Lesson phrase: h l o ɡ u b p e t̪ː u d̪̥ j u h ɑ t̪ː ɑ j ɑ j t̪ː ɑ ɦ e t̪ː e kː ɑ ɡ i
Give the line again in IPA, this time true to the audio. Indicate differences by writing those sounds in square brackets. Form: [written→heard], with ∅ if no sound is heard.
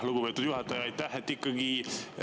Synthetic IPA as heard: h l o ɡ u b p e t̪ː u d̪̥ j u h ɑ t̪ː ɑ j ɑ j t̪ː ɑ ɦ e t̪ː [e→i] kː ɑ ɡ i